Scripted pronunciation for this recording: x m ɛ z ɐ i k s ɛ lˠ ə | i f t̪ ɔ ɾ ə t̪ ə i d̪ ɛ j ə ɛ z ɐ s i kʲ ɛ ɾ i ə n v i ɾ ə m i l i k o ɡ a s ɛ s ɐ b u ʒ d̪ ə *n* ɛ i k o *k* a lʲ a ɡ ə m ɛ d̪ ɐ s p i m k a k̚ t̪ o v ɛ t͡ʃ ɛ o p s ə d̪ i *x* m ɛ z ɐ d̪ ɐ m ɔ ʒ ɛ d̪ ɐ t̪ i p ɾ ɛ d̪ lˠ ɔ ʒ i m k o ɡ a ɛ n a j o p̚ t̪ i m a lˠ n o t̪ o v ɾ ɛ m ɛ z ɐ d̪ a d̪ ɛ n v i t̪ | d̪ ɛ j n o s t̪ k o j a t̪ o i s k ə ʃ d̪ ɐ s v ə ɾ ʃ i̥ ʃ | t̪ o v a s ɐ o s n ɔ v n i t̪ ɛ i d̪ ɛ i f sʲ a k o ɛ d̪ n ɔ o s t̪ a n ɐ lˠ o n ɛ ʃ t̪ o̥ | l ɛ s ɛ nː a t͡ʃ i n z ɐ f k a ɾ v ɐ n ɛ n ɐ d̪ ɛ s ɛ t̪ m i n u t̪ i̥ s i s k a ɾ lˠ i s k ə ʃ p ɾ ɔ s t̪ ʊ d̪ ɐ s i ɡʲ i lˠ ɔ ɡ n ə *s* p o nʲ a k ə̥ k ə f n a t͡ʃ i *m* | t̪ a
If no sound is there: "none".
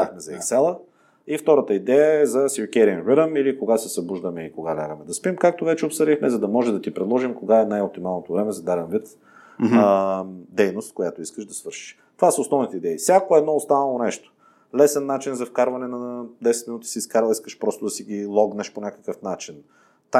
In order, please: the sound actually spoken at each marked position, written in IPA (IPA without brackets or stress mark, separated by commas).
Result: m, ɡ, x, ʃ, n